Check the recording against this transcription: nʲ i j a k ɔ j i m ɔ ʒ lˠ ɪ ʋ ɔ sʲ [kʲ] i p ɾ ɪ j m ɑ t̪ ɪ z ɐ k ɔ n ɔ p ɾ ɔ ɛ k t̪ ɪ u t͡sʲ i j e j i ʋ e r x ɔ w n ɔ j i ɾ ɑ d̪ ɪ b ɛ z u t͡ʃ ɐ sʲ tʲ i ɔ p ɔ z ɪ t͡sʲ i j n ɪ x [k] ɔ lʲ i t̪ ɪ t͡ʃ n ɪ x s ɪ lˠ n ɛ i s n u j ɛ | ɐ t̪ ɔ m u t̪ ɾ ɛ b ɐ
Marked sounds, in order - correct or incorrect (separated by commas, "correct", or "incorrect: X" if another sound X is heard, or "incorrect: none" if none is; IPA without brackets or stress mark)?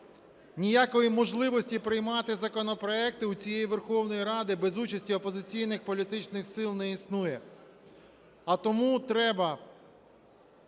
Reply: incorrect: tʲ, incorrect: p